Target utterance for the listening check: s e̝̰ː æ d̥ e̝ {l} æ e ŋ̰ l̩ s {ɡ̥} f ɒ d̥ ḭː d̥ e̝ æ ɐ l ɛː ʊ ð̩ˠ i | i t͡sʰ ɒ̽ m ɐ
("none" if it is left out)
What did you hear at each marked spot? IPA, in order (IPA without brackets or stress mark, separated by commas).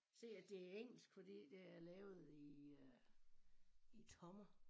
none, ɡ̥